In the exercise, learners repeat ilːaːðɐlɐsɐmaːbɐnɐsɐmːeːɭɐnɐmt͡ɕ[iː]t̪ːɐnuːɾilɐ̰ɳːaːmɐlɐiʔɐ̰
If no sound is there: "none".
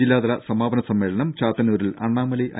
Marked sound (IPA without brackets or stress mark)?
aː